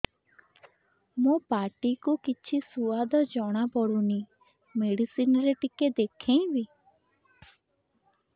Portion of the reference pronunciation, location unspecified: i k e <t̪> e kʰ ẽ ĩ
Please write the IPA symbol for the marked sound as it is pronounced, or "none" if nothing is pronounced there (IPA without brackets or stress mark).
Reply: d̪